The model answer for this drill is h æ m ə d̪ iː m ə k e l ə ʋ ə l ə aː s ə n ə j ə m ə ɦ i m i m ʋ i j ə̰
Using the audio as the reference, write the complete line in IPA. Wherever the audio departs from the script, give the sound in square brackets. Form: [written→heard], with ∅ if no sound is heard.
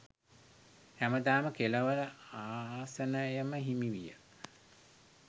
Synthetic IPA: h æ m ə d̪ [iː→aː] m ə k e l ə ʋ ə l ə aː s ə n ə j ə m ə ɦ i m i [m→∅] ʋ i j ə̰